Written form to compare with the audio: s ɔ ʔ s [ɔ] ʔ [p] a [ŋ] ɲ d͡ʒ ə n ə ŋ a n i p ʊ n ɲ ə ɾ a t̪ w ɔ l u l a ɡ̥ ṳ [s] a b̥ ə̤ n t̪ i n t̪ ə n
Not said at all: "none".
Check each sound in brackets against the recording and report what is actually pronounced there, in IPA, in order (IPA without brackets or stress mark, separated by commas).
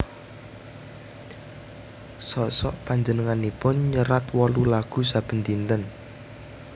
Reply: ɔ, p, none, s